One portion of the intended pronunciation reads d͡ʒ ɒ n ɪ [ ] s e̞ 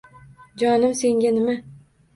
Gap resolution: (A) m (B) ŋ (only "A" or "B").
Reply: A